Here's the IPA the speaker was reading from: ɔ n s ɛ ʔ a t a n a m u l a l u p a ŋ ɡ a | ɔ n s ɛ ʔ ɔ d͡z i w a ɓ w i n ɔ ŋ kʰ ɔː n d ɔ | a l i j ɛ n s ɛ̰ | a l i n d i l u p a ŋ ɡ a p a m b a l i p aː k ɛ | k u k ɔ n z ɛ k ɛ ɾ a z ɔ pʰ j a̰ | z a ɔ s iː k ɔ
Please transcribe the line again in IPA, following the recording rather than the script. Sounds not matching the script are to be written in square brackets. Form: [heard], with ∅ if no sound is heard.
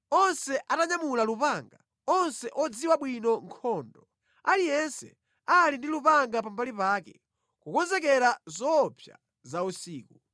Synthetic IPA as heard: ɔ n s ɛ ʔ a t a [ɲ] a m u l a l u p a ŋ ɡ a | ɔ n s ɛ ʔ ɔ d͡z i w a ɓ w i n ɔ ŋ kʰ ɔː n d ɔ | a l i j ɛ n s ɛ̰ | a l i n d i l u p a ŋ ɡ a p a m b a l i p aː k ɛ | k u k ɔ n z ɛ k ɛ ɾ a z ɔ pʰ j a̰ | z a [u] s iː k [u]